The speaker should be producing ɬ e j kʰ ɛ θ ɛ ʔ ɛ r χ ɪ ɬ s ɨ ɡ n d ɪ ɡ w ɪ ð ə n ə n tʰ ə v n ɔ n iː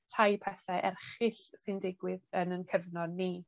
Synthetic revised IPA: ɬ a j pʰ ɛ θ ɛ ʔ ɛ r χ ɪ ɬ s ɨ n d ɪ ɡ w ɪ ð ə n ə n kʰ ə v n ɔ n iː